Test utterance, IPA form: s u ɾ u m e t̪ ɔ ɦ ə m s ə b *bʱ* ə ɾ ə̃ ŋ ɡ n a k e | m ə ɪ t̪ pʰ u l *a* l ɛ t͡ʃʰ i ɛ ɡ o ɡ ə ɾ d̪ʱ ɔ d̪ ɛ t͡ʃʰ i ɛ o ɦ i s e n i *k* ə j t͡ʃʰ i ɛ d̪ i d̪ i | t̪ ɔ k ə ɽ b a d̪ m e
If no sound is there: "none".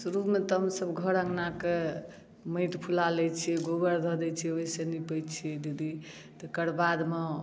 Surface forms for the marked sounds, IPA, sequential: ɡʱ, a, p

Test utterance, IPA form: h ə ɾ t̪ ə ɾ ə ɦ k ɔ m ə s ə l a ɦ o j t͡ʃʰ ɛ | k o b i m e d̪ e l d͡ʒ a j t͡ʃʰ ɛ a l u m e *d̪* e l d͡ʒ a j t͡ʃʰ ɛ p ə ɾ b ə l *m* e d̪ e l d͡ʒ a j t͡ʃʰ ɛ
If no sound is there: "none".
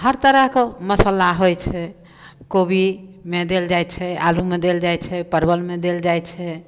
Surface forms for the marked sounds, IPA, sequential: d̪, m

